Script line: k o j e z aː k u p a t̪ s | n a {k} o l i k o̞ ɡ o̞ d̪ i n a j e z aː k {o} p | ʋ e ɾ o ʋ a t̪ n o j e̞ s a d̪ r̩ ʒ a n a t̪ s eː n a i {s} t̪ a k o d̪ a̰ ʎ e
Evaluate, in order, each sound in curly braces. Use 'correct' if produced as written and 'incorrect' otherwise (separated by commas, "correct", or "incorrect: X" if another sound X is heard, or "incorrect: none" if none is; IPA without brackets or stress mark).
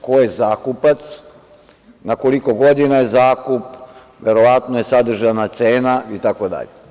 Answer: correct, incorrect: u, incorrect: none